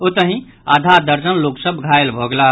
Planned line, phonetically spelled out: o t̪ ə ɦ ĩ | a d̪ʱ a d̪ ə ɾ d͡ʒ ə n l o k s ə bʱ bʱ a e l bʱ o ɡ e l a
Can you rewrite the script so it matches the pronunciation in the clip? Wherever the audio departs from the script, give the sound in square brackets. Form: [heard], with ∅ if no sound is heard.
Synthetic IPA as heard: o t̪ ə ɦ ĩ | a d̪ʱ a d̪ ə ɾ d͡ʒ ə n l o k s ə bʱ [ɡʱ] a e l bʱ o ɡ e l a